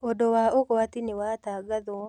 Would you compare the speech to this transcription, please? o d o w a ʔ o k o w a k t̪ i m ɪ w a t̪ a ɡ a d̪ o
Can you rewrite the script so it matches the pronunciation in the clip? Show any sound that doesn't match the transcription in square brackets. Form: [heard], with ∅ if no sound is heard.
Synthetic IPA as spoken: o d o w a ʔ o k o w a [∅] t̪ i [n] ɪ w a t̪ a ɡ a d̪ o